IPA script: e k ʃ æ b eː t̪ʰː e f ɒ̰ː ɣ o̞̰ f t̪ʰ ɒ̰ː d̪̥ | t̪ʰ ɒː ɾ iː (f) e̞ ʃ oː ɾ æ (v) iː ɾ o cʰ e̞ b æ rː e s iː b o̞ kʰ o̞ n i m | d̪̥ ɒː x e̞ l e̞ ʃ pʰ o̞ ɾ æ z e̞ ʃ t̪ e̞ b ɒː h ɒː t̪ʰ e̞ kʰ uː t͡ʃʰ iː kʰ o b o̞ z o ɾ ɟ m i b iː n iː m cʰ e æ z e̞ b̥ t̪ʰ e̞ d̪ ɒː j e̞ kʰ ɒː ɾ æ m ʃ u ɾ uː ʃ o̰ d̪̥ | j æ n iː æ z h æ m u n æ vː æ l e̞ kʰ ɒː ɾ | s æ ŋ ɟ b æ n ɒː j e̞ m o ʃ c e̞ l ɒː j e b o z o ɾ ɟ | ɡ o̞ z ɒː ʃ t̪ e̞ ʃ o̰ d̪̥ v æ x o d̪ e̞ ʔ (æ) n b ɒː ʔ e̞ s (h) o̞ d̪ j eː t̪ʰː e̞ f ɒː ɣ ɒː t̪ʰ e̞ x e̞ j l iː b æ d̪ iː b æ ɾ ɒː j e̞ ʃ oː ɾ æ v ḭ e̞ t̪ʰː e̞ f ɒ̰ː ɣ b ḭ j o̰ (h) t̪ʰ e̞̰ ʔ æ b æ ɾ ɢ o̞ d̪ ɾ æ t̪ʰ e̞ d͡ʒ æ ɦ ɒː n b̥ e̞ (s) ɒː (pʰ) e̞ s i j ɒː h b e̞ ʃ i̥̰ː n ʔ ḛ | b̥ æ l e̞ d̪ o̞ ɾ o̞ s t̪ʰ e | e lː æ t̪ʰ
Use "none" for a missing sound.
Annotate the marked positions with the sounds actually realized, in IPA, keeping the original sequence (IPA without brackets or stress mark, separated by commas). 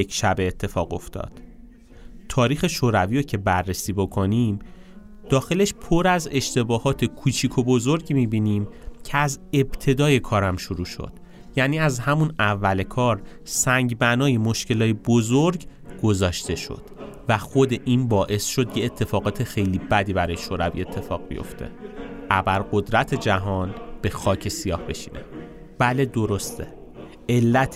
x, v, i, ʃ, f, x, cʰ